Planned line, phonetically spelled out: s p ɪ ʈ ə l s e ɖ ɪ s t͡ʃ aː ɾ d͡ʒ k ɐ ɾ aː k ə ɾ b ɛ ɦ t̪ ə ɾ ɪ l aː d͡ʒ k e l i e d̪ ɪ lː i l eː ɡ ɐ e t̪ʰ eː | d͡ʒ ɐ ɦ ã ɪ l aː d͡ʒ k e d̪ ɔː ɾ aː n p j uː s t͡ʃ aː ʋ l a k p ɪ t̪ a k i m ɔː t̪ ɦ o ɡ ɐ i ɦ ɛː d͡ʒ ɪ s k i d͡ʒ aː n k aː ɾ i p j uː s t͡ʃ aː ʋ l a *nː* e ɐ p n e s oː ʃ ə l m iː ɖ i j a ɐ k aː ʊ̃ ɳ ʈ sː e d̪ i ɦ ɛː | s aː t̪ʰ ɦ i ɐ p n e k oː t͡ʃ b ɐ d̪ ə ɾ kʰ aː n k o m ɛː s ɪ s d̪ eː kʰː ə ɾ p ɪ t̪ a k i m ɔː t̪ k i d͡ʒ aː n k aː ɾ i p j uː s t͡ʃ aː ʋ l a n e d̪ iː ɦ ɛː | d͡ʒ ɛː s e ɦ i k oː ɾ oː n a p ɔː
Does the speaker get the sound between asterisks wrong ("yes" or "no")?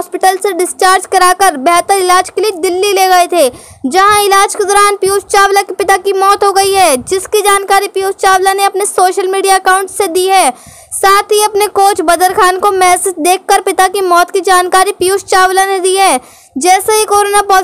yes